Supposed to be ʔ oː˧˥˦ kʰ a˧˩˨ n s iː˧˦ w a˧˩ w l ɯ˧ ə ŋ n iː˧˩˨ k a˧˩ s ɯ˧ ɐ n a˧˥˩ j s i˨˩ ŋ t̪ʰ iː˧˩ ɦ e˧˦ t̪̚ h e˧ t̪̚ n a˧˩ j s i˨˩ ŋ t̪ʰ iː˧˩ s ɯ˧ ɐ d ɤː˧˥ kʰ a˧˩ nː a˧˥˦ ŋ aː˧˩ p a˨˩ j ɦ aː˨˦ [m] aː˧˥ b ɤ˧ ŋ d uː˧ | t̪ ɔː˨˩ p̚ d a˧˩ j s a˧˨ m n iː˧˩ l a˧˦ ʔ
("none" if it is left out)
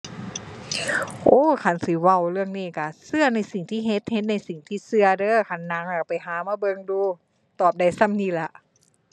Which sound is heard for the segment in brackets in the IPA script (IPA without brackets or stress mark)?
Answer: m